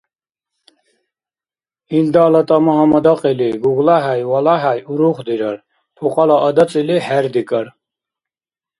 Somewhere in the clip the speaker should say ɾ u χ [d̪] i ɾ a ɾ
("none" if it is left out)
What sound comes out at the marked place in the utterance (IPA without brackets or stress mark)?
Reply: d̪